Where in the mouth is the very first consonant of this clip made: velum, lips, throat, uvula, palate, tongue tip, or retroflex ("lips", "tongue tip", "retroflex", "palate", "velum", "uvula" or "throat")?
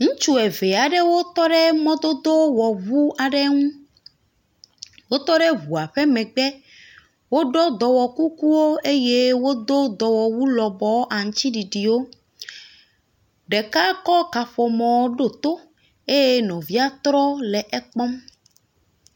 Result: velum